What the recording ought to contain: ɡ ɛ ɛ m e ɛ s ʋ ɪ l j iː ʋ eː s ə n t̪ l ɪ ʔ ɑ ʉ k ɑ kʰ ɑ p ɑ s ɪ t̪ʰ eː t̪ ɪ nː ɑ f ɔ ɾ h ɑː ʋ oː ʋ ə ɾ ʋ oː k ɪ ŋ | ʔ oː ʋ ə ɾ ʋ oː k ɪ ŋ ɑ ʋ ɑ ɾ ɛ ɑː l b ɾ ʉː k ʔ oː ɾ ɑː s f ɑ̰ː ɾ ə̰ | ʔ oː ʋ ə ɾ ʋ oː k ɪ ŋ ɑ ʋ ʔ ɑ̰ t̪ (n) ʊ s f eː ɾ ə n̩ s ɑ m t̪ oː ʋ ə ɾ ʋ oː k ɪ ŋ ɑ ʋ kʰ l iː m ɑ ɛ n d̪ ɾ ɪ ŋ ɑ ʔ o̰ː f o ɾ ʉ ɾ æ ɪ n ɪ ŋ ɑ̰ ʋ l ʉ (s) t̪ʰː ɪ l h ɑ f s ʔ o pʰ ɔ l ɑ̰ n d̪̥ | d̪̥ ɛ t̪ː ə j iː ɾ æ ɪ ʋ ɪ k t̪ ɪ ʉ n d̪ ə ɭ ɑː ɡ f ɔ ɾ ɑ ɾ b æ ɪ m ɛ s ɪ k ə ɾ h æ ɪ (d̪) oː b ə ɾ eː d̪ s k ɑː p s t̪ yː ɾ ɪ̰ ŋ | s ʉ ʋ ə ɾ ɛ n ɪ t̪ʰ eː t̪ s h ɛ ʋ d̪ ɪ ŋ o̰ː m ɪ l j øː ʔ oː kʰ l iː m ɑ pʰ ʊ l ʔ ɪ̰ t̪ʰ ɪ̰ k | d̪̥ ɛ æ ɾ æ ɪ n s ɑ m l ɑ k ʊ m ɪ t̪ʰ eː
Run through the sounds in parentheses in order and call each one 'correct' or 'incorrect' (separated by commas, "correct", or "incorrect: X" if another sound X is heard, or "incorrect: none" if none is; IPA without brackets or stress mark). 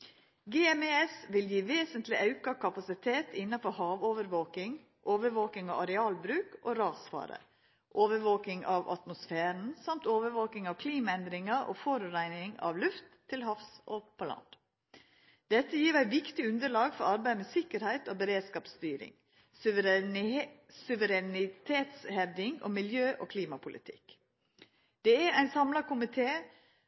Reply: incorrect: m, incorrect: f, incorrect: t̪